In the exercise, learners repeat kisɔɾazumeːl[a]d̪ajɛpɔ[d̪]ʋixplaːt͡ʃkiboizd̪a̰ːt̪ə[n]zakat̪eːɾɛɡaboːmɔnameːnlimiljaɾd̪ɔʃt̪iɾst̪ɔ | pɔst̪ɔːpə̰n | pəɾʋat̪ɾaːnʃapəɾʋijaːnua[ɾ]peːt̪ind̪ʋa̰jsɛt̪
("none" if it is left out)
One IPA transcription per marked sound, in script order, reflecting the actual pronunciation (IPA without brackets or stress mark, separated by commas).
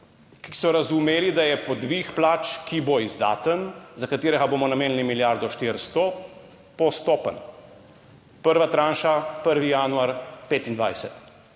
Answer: i, d̪, n, ɾ